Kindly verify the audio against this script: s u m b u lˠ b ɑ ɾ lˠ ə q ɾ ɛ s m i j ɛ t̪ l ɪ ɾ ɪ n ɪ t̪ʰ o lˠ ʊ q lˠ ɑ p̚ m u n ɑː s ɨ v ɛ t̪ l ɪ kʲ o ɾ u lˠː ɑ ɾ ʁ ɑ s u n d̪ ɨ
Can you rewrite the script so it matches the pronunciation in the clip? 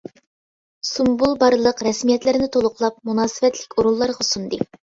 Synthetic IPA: s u m b u lˠ b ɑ ɾ lˠ ə q ɾ ɛ s m i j ɛ t̪ l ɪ ɾ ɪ n ɪ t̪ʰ o lˠ ʊ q lˠ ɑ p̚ m u n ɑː s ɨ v ɛ t̪ l ɪ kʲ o ɾ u lˠː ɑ ɾ ʁ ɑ s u n d̪ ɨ